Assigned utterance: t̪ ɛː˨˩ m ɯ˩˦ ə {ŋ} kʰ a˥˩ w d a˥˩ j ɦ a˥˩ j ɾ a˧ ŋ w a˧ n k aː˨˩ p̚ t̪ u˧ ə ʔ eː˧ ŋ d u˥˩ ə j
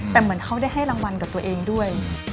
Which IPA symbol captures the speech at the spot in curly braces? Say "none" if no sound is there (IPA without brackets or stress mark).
n